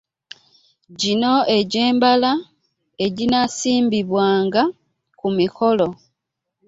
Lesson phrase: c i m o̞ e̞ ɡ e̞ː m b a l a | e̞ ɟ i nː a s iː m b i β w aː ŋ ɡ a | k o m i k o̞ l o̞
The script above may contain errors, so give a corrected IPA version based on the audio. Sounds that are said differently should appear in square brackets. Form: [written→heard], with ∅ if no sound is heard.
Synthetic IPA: [c→ɟ] i [m→n] o̞ e̞ [ɡ→ɟ] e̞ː m b a l a | e̞ ɟ i [nː→n] a s iː m b i β w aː ŋ ɡ a | k [o→u] m i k o̞ l o̞